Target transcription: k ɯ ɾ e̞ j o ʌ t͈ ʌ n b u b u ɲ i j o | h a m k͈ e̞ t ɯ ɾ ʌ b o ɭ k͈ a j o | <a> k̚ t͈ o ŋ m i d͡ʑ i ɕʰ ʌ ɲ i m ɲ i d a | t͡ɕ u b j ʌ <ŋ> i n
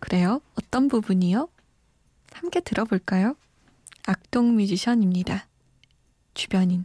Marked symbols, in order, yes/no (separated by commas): yes, no